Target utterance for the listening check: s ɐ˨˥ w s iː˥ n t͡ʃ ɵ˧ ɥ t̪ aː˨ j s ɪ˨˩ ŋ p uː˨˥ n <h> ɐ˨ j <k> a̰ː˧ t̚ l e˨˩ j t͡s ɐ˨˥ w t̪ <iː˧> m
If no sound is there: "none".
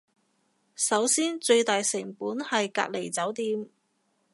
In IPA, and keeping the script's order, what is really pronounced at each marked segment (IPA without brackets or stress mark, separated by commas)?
h, k, iː˧